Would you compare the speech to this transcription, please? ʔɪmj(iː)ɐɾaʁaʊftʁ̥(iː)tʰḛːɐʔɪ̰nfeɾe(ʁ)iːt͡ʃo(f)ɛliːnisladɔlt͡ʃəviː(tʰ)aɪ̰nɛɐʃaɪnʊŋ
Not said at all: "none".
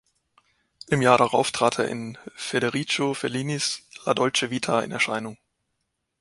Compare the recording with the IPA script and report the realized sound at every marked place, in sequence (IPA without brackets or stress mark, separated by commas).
aː, aː, ʁ, f, tʰ